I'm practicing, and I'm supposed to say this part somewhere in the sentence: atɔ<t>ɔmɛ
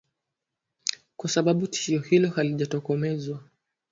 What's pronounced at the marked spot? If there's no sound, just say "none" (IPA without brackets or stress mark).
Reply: k